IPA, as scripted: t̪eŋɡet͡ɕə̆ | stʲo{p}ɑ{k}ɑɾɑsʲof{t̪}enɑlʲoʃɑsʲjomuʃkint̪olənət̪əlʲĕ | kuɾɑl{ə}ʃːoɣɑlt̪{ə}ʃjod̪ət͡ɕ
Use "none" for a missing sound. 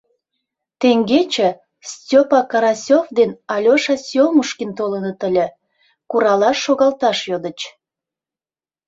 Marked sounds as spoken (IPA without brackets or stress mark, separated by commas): p, k, d̪, ɑ, ɑ